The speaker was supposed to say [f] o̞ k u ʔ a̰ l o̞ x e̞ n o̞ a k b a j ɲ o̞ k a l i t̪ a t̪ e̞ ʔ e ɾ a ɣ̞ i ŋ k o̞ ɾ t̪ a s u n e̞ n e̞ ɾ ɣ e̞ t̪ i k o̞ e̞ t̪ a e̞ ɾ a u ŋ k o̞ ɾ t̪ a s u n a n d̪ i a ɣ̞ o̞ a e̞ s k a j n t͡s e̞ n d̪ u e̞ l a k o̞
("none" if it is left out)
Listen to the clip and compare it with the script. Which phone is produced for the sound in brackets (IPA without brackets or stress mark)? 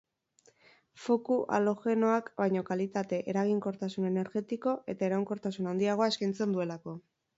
f